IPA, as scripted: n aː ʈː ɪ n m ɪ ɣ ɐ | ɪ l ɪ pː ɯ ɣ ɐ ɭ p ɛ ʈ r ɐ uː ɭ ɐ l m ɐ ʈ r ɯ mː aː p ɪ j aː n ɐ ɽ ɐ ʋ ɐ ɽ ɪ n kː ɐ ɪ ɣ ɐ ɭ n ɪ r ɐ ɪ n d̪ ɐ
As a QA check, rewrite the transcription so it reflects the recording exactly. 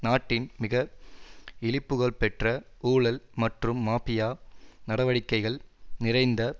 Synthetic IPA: n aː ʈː ɪ n m ɪ ɣ ɐ | ɪ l ɪ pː ɯ ɣ ɐ ɭ p ɛ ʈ r ɐ uː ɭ ɐ l m ɐ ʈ r ɯ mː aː p ɪ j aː n ɐ ɽ ɐ ʋ ɐ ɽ ɪ kː ɐ ɪ ɣ ɐ ɭ n ɪ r ɐ ɪ n d̪ ɐ